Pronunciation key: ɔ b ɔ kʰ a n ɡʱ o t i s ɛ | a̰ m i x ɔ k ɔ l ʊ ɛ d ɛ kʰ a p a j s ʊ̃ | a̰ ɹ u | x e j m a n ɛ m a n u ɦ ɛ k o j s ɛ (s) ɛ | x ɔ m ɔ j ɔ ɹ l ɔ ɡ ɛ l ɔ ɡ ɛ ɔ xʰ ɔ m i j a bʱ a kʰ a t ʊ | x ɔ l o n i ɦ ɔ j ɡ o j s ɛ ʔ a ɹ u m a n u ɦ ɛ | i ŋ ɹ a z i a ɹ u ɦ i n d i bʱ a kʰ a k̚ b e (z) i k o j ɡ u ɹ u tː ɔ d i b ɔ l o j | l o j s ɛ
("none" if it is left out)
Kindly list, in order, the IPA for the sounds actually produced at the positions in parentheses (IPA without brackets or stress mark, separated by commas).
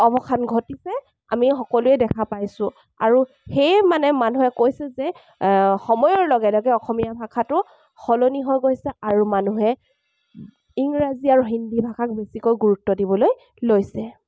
z, s